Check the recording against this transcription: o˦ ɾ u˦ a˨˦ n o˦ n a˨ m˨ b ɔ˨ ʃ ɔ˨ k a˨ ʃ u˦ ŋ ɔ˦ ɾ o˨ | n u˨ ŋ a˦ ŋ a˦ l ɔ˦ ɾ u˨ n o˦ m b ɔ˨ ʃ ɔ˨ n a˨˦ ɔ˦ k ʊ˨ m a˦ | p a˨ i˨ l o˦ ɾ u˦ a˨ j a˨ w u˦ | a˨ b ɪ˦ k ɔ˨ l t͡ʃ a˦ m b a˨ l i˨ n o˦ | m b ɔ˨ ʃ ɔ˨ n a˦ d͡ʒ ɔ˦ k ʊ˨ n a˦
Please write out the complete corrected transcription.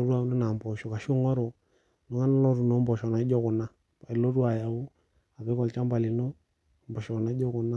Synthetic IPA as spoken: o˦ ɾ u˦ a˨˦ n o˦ n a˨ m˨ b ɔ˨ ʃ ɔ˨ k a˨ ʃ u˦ ŋ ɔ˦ ɾ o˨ | n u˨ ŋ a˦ n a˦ l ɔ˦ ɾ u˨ n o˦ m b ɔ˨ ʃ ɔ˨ n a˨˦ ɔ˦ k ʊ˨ n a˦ | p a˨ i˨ l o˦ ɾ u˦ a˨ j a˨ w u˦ | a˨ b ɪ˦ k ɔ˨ l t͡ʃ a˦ m b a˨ l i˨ n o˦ | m b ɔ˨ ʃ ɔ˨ n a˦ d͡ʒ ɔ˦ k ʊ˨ n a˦